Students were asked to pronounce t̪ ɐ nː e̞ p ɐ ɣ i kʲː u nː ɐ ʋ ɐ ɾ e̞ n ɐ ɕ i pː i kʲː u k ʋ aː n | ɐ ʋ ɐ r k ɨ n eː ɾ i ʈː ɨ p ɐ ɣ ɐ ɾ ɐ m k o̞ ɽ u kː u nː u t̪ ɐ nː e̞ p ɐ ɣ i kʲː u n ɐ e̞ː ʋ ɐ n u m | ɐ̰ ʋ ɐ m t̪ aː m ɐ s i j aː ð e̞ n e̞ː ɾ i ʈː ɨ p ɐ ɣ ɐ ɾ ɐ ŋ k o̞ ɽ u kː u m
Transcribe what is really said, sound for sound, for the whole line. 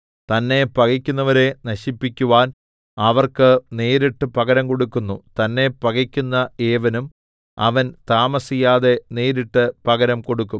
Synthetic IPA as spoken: t̪ ɐ nː e̞ p ɐ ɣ i kʲː u nː ɐ ʋ ɐ ɾ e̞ n ɐ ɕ i pː i kʲː u ʋ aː n | ɐ ʋ ɐ r k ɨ n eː ɾ i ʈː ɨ p ɐ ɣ ɐ ɾ ɐ m k o̞ ɽ u kː u nː u t̪ ɐ nː e̞ p ɐ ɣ i kʲː u nː ɐ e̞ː ʋ ɐ n u m | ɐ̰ ʋ ɐ n t̪ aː m ɐ s i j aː ð e̞ n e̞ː ɾ i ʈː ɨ p ɐ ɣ ɐ ɾ ɐ m k o̞ ɽ u kː u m